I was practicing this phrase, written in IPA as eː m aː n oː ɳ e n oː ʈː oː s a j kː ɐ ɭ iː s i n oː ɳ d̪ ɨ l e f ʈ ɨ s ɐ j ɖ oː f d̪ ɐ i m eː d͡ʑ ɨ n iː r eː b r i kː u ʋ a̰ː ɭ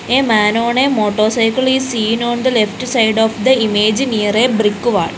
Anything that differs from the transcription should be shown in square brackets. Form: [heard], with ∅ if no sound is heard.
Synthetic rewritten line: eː m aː n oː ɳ e [m] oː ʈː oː s [ɐ] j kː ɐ ɭ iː s [iː] n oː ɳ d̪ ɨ l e f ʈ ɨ s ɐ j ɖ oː f d̪ ɐ i m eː d͡ʑ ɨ n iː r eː b r i kː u ʋ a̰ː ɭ